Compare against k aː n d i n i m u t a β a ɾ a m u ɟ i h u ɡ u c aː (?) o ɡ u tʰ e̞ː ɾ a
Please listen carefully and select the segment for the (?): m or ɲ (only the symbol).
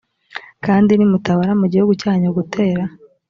ɲ